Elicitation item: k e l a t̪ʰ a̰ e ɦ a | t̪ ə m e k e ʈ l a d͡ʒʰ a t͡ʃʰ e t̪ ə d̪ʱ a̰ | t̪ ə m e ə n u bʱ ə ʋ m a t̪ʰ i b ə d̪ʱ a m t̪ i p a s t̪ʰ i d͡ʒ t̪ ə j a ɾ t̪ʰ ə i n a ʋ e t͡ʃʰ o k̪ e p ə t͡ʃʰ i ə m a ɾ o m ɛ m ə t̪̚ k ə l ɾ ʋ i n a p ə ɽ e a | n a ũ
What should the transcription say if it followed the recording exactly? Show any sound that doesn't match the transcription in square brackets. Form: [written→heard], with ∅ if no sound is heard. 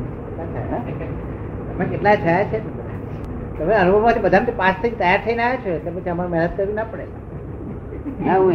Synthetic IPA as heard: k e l a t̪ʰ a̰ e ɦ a | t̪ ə m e k e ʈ l a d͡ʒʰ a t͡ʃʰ e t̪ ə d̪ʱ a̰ | t̪ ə m e ə n u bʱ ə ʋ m a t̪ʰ i b ə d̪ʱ a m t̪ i p a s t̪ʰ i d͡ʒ t̪ ə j a ɾ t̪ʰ ə i n a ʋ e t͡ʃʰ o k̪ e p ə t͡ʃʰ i ə m a ɾ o m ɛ [m→n] ə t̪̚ k ə [l→∅] ɾ ʋ i n a p ə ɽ e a | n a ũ